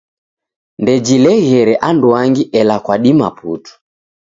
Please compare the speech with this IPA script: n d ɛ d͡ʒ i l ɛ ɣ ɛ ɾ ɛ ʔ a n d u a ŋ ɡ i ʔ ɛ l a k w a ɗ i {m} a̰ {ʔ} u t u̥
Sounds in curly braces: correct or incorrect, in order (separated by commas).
correct, incorrect